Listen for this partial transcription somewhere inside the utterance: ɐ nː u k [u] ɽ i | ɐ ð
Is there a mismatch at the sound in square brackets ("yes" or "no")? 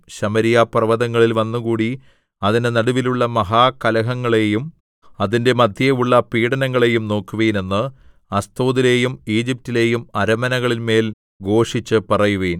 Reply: yes